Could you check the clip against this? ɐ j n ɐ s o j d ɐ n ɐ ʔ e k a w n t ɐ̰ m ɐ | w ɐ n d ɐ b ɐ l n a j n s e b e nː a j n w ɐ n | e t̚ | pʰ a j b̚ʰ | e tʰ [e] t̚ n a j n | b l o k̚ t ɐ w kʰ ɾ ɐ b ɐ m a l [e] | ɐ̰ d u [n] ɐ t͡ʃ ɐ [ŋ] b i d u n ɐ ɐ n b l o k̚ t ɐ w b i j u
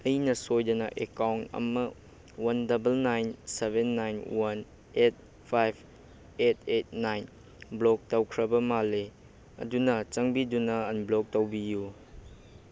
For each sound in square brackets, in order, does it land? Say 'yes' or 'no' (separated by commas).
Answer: yes, yes, yes, yes